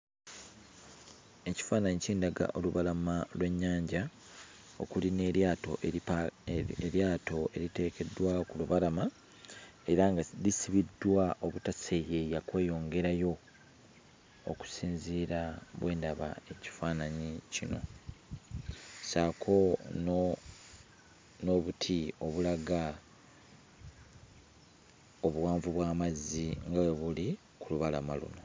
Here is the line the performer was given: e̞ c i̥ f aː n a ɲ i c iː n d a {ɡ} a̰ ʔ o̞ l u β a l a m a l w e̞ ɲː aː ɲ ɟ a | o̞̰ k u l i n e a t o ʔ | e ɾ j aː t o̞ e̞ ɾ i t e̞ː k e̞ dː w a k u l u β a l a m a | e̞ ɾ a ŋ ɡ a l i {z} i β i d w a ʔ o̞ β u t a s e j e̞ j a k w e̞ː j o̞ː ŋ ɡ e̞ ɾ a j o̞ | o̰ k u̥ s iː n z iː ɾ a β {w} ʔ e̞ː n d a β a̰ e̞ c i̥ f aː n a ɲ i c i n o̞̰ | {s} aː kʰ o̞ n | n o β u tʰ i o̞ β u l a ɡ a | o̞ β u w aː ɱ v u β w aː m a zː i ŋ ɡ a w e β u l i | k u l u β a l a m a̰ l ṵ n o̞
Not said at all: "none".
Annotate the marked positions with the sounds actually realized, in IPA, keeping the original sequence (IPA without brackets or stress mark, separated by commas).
ɡ, s, w, s